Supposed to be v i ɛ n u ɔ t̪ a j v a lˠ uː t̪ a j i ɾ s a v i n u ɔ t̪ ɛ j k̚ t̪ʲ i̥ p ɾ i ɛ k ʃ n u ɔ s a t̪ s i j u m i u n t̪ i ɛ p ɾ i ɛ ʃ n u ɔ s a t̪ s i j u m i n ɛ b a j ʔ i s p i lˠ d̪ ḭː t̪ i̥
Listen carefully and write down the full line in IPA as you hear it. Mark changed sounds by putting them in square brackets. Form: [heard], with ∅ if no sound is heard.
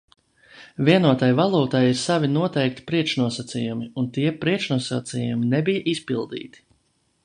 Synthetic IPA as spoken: v i ɛ n u ɔ t̪ a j v a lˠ uː t̪ a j i ɾ s a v i n u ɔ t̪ ɛ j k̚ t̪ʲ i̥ p ɾ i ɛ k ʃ n u ɔ s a t̪ s i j u m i u n t̪ i ɛ p ɾ i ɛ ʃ n u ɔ s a t̪ s i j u m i n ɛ b [i] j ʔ i s p i lˠ d̪ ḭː t̪ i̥